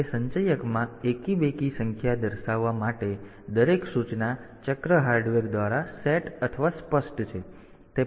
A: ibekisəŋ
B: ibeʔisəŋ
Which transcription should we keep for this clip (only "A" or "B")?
A